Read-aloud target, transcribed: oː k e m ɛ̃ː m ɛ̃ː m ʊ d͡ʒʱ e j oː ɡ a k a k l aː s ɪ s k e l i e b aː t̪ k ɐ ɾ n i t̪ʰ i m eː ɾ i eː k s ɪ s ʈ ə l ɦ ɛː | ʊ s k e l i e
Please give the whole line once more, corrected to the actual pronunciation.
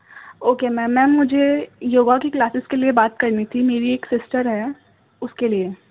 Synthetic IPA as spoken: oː k e m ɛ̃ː m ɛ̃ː m ʊ d͡ʒʱ e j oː ɡ a k i k l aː s ɪ s k e l i e b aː t̪ k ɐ ɾ n i t̪ʰ i m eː ɾ i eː k s ɪ s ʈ ə ɾ ɦ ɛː | ʊ s k e l i e